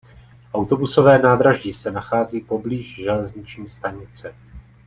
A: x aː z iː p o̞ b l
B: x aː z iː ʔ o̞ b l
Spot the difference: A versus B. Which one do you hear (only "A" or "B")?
A